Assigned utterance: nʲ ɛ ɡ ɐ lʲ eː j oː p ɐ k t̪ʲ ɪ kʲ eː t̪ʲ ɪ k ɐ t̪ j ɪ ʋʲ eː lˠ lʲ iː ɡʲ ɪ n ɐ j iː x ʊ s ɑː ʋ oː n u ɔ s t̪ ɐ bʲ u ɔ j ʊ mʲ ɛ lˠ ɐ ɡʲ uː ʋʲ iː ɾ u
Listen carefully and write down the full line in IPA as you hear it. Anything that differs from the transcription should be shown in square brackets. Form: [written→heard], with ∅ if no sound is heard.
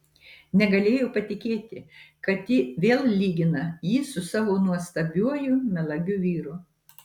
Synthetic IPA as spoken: nʲ ɛ ɡ ɐ lʲ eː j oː p ɐ [k→∅] t̪ʲ ɪ kʲ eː t̪ʲ ɪ k ɐ t̪ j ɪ ʋʲ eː lˠ lʲ iː ɡʲ ɪ n ɐ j iː [x→s] ʊ s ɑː ʋ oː n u ɔ s t̪ ɐ bʲ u ɔ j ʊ mʲ ɛ lˠ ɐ ɡʲ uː ʋʲ iː ɾ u